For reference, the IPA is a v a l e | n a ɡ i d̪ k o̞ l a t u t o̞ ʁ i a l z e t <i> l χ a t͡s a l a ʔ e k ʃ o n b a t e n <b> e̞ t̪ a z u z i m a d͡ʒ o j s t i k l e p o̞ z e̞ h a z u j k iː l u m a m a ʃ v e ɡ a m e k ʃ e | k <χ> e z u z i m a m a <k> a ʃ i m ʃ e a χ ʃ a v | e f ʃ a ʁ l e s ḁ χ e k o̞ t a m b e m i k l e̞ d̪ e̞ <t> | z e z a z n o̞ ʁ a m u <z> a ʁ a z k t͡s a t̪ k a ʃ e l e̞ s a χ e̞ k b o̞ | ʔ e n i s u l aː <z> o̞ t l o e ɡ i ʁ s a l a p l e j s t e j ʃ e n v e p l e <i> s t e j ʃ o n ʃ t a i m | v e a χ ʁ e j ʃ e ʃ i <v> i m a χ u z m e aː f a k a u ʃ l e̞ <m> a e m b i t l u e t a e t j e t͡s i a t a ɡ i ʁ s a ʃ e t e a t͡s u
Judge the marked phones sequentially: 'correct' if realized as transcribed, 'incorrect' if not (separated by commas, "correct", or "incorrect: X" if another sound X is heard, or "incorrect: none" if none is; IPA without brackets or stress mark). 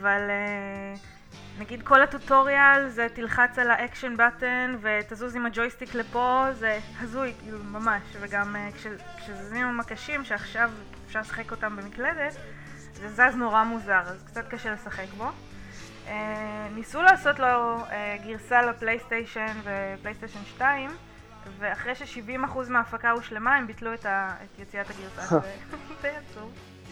correct, incorrect: v, incorrect: ʃ, correct, correct, correct, incorrect: s, incorrect: j, correct, correct